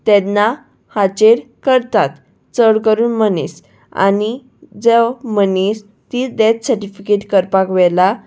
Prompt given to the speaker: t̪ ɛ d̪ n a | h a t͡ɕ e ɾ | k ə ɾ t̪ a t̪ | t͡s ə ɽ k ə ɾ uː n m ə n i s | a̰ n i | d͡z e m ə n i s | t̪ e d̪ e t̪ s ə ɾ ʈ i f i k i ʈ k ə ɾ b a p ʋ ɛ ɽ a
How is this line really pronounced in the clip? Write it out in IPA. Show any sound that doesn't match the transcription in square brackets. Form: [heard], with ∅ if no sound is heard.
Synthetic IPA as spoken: t̪ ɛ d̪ n a | h a t͡ɕ e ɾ | k ə ɾ t̪ a t̪ | t͡s ə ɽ k ə ɾ uː n m ə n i s | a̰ n i | d͡z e m ə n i s | t̪ [i] d̪ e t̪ s ə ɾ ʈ i f i k [e] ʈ k ə ɾ [p] a [k] ʋ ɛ [l] a

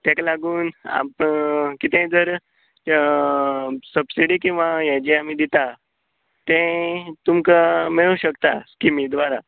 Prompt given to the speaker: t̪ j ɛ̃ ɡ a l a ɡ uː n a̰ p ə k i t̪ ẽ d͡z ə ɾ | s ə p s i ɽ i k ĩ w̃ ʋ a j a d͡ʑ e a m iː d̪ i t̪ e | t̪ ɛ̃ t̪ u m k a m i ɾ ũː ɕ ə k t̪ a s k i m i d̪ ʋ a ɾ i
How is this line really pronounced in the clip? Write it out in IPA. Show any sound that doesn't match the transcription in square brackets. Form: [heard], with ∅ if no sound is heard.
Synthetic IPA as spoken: t̪ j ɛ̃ [k] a l a ɡ uː n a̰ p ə k i t̪ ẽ d͡z ə ɾ | s ə [b] s i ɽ i k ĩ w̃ ʋ a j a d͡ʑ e a m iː d̪ i t̪ [a] | t̪ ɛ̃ t̪ u m k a m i [ɭ] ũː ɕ ə k t̪ a s k i m i d̪ ʋ a ɾ [a]

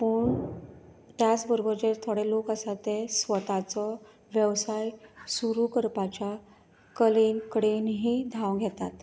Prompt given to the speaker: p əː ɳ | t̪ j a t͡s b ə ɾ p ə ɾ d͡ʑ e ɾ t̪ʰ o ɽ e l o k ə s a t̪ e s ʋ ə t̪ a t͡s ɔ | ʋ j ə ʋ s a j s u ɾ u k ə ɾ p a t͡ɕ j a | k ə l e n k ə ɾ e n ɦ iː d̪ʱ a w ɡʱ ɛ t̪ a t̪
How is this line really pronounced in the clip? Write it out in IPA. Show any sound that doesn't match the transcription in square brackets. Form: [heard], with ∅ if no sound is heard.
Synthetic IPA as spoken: p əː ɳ | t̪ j a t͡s b ə ɾ [b] ə ɾ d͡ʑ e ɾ t̪ʰ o ɽ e l o k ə s a t̪ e s ʋ ə t̪ a t͡s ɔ | ʋ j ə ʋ s a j s u ɾ u k ə ɾ p a t͡ɕ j a | k ə l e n k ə [ɽ] e n ɦ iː d̪ʱ a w ɡʱ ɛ t̪ a t̪

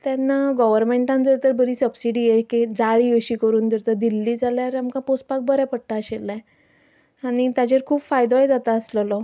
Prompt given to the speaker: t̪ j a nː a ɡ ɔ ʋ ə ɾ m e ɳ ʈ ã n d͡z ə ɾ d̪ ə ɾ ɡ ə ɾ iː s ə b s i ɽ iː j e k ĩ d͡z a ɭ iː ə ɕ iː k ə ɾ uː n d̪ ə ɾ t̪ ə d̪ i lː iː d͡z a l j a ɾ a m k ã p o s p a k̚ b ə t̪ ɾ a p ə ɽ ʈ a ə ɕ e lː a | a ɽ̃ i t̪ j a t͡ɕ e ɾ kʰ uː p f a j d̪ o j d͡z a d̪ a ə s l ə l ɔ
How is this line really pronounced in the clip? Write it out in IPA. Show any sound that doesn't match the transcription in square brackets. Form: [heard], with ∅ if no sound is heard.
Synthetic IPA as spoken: t̪ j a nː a ɡ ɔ ʋ ə ɾ m e ɳ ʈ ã n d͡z ə ɾ [t̪] ə ɾ [b] ə ɾ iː s ə b s i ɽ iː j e k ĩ d͡z a ɭ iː ə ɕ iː k ə ɾ uː n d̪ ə ɾ t̪ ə d̪ i lː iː d͡z a l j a ɾ a m k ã p o s p a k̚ b ə [∅] ɾ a p ə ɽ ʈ a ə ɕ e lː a | a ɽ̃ i t̪ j a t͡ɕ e ɾ kʰ uː p f a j d̪ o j d͡z a [t̪] a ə s l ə l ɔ

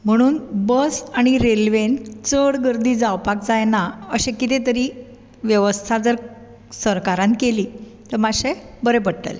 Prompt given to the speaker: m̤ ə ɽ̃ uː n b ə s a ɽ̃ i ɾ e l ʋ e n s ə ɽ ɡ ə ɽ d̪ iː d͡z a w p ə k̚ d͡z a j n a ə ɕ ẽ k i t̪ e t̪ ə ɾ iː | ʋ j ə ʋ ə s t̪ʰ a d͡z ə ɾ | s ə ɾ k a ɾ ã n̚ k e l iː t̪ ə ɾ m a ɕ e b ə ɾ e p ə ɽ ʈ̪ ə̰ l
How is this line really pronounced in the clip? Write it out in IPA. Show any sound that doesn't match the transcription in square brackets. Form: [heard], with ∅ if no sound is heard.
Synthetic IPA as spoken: m̤ ə ɽ̃ uː n b ə s a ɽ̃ i ɾ e l ʋ e n [t͡s] ə ɽ ɡ ə [ɾ] d̪ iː d͡z a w p [a] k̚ d͡z a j n a ə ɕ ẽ k i t̪ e t̪ ə ɾ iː | ʋ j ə ʋ ə s t̪ʰ a d͡z ə ɾ | s ə ɾ k a ɾ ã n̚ k e l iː t̪ ə ɾ m a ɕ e b ə ɾ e p ə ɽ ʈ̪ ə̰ l

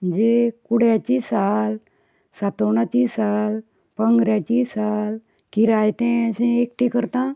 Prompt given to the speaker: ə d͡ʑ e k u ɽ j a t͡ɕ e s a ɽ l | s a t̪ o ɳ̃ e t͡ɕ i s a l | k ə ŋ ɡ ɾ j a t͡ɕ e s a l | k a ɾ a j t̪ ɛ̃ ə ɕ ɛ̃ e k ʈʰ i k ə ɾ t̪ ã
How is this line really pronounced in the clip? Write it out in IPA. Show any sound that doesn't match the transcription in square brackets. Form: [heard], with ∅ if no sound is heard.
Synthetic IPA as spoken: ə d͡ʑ e k u ɽ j a t͡ɕ [i] s a [∅] l | s a t̪ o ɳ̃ [a] t͡ɕ i s a l | [p] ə ŋ ɡ ɾ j a t͡ɕ [i] s a l | k [i] ɾ a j t̪ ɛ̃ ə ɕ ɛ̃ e k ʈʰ i k ə ɾ t̪ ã

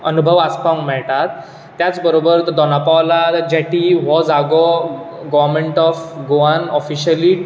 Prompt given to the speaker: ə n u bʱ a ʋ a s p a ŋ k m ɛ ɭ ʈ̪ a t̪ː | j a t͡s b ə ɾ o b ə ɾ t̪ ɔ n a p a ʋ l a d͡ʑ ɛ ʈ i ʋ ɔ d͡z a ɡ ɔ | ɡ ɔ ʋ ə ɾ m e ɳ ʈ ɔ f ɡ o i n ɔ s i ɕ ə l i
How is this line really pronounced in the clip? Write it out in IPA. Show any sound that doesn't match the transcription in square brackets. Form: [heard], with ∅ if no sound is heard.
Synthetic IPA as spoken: ə n u bʱ [ə] ʋ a s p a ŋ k m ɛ ɭ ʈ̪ a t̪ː | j a t͡s b ə ɾ o b ə ɾ [d̪] ɔ n a p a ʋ l a d͡ʑ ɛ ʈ i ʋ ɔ d͡z a ɡ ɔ | ɡ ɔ ʋ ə ɾ m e ɳ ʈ ɔ f ɡ o [a] n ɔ [f] i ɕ ə l i

